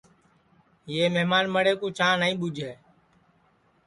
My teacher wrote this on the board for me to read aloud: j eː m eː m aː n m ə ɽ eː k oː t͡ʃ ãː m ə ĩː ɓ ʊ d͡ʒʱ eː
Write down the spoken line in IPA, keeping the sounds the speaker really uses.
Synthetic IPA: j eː m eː m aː n m ə ɽ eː k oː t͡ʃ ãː n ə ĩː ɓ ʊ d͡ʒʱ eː